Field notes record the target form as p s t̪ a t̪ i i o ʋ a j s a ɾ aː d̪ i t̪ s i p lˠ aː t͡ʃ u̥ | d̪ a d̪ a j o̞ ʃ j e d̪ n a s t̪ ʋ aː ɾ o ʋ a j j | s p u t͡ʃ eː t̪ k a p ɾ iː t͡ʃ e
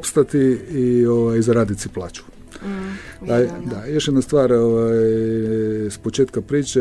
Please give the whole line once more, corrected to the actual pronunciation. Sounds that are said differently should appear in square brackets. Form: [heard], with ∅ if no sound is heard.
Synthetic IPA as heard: p s t̪ a t̪ i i o ʋ a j [z] a ɾ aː d̪ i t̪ s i p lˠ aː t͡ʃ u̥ | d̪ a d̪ a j o̞ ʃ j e d̪ n a s t̪ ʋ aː ɾ o ʋ a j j | s p [o] t͡ʃ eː t̪ k a p ɾ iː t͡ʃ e